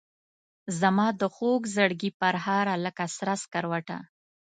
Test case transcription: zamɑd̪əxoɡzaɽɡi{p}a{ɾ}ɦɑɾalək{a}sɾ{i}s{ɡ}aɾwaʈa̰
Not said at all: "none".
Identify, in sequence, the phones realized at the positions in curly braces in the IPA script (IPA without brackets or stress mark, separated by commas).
p, ɾ, a, a, k